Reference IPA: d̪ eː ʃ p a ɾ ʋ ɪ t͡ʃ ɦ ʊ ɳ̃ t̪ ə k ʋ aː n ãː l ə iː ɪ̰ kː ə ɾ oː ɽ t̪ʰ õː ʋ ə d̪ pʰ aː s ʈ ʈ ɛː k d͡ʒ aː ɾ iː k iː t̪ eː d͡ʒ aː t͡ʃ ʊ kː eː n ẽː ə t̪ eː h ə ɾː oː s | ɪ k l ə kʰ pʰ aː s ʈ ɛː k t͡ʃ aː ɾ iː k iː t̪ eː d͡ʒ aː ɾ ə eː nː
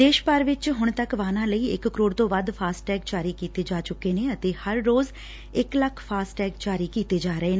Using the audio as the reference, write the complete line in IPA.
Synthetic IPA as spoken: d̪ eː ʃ p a ɾ ʋ ɪ t͡ʃ ɦ ʊ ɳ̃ t̪ ə k ʋ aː n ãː l ə iː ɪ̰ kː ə ɾ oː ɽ t̪ õː ʋ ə d̪ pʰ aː s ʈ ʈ ɛː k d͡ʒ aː ɾ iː k iː t̪ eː d͡ʒ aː t͡ʃ ʊ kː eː n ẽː ə t̪ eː h ə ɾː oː z | ɪ k l ə kʰ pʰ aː s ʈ ɛː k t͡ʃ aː ɾ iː k iː t̪ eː d͡ʒ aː ɾ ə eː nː